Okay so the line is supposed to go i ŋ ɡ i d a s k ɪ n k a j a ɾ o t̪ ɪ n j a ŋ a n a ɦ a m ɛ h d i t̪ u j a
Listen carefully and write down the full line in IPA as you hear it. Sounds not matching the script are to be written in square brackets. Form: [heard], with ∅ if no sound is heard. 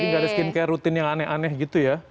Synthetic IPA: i ŋ ɡ [a] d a s k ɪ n k a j a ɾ [u] t̪ ɪ n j a ŋ a n [ɛ] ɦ a [n] ɛ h [ɡ] i t̪ u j a